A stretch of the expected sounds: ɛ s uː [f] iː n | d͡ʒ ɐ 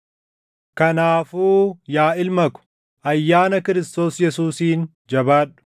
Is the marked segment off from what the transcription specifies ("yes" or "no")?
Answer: yes